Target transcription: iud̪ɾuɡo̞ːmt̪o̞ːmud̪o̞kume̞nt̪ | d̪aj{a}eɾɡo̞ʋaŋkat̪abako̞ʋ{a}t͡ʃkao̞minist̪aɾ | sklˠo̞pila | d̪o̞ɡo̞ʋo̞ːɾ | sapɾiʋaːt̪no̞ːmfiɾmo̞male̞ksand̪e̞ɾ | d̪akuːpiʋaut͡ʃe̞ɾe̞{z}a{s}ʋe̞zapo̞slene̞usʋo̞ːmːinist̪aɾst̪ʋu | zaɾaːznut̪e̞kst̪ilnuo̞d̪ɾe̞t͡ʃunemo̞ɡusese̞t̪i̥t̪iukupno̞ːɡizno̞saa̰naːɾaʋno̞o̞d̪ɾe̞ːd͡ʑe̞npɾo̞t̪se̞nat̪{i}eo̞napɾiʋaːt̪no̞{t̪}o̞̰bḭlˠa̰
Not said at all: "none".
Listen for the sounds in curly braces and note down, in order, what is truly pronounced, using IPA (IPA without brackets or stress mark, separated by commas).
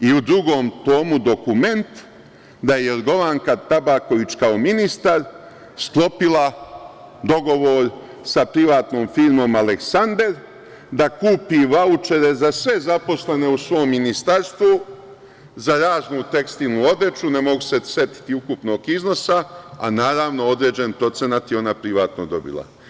e, i, z, s, j, d̪